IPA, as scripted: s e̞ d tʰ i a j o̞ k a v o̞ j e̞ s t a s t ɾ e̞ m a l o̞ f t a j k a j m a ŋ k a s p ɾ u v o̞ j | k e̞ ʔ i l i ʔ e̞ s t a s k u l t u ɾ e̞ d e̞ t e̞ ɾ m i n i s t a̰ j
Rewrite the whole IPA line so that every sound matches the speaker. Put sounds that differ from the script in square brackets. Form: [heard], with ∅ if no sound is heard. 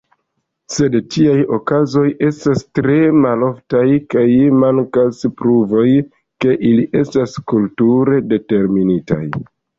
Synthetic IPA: s e̞ d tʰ i a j o̞ k a [z] o̞ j e̞ s t a s t ɾ e̞ m a l o̞ f t a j k a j m a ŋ k a s p ɾ u v o̞ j | k e̞ ʔ i l i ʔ e̞ s t a s k u l t u ɾ e̞ d e̞ t e̞ ɾ m i n i [∅] t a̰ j

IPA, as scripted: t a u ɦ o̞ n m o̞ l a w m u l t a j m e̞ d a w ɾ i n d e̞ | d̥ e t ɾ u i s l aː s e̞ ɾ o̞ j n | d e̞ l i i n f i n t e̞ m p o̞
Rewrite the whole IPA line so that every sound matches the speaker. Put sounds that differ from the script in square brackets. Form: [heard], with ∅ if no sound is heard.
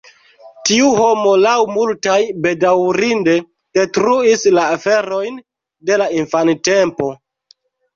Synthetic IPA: t [i] u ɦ o̞ [∅] m o̞ l a w m u l t a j [b] e̞ d a w ɾ i n d e̞ | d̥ e t ɾ u i s l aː [f] e̞ ɾ o̞ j n | d e̞ l [a] i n f [a] n t e̞ m p o̞

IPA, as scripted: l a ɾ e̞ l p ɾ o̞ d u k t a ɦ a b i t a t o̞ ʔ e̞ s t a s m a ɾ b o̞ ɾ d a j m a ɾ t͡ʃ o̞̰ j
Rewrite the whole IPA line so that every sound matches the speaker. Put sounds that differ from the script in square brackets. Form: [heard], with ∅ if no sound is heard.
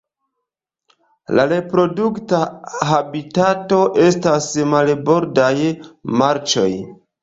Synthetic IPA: l a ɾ e̞ [∅] p ɾ o̞ d u k t a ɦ a b i t a t o̞ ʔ e̞ s t a s m a [l] b o̞ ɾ d a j m a ɾ t͡ʃ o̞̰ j

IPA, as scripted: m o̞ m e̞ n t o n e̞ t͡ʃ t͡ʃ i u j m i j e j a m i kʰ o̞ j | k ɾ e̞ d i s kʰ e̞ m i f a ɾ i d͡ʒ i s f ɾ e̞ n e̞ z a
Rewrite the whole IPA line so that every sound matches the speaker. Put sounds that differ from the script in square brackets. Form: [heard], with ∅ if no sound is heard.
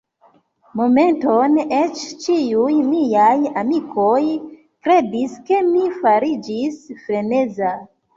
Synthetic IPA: m o̞ m e̞ n t o n e̞ t͡ʃ t͡ʃ i u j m i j [a] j a m i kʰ o̞ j | k ɾ e̞ d i s [k] e̞ m i f a ɾ i d͡ʒ i s f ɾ e̞ n e̞ z a

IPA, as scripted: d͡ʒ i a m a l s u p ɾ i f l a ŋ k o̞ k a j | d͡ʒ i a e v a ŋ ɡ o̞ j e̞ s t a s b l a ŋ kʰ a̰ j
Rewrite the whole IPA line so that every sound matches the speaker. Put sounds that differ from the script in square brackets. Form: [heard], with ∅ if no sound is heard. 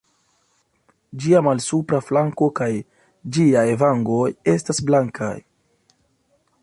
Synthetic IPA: d͡ʒ i a m a l s u p ɾ [a] f l a ŋ k o̞ k a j | d͡ʒ i a e v a ŋ ɡ o̞ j e̞ s t a s b l a ŋ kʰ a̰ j

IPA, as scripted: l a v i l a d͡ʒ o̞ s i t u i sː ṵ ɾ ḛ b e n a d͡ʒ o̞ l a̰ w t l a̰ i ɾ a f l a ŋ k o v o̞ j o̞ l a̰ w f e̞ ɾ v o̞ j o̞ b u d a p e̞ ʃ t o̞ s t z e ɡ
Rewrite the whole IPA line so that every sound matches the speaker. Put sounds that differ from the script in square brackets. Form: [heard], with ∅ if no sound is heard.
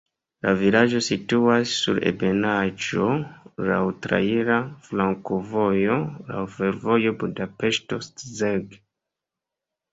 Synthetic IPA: l a v i l a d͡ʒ o̞ s i t u [a] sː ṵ ɾ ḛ b e n a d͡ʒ o̞ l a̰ w t [ɾ] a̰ i ɾ a f l a ŋ k o v o̞ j o̞ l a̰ w f e̞ ɾ v o̞ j o̞ b u d a p e̞ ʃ t o̞ s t z e ɡ

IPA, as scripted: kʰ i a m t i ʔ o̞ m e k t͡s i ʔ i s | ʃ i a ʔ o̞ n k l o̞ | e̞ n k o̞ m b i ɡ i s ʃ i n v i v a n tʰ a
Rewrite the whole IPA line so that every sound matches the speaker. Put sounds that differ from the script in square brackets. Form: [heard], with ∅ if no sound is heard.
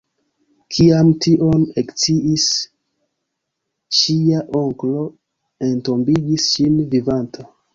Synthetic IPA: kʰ i a m t i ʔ o̞ [n] e k t͡s i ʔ i s | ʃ i a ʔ o̞ [ŋ] k l o̞ | e̞ n [t] o̞ m b i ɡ i s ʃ i n v i v a n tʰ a

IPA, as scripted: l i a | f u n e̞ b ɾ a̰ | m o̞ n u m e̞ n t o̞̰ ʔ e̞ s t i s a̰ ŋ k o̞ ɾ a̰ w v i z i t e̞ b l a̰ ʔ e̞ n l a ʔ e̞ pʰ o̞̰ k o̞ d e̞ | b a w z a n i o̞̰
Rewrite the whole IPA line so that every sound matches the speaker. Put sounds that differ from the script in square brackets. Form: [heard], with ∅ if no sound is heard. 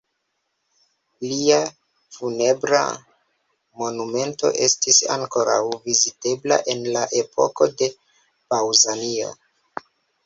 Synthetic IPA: l i a | f u n e̞ b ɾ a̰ | m o̞ n u m e̞ n t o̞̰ ʔ e̞ s t i s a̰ ŋ k o̞ ɾ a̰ w v i z i t e̞ b l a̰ ʔ e̞ n l a ʔ e̞ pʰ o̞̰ k o̞ d e̞ | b a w z a n i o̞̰

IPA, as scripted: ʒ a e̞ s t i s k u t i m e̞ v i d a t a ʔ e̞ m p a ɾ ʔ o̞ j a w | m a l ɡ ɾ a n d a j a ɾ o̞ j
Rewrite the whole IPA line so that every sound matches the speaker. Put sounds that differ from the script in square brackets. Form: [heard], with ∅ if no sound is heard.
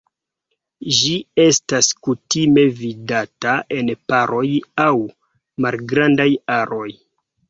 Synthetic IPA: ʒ [i] e̞ s t [a] s k u t i m e̞ v i d a t a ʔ e̞ [n] p a ɾ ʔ o̞ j a w | m a l ɡ ɾ a n d a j a ɾ o̞ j

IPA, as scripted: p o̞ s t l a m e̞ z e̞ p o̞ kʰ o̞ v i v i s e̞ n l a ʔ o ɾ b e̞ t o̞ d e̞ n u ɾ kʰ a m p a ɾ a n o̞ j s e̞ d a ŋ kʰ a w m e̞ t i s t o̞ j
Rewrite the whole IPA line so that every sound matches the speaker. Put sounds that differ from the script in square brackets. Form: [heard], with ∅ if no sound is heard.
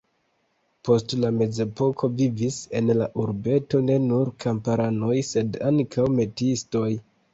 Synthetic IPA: p o̞ s t l a m e̞ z e̞ p o̞ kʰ o̞ v i v i s e̞ n l a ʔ [u] ɾ b e̞ t o̞ [n] e̞ n u ɾ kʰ a m p a ɾ a n o̞ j s e̞ d a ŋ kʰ a w m e̞ t i s t o̞ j

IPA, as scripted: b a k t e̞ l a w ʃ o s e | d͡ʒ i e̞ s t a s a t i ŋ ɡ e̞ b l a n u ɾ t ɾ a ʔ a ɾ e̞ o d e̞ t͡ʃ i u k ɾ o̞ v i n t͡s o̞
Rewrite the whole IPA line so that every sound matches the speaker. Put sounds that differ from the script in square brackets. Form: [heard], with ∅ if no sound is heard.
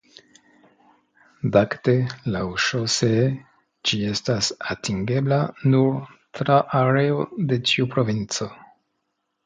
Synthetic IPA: [d] a k t e̞ l a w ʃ o s e | d͡ʒ i e̞ s t a s a t i ŋ ɡ e̞ b l a n u ɾ t ɾ a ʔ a ɾ e̞ o d e̞ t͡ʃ i u [p] ɾ o̞ v i n t͡s o̞

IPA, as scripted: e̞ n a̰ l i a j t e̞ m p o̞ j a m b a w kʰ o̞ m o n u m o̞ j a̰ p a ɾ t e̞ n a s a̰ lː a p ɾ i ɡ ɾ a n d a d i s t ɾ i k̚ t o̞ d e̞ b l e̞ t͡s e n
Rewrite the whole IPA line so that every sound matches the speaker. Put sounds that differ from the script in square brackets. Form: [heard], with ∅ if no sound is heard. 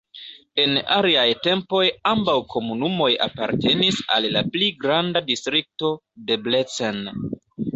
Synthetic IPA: e̞ n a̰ l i a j t e̞ m p o̞ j a m b a w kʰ o̞ m [u] n u m o̞ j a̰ p a ɾ t e̞ n [i] s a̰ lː a p [l] i ɡ ɾ a n d a d i s t ɾ i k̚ t o̞ d e̞ b l e̞ t͡s e n

